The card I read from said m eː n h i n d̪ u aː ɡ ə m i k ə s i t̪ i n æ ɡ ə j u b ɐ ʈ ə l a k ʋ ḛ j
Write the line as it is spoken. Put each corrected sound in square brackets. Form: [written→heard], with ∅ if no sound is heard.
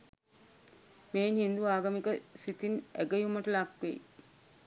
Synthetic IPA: m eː n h i n d̪ u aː ɡ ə m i k ə s i t̪ i n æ ɡ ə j u [b→m] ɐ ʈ ə l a k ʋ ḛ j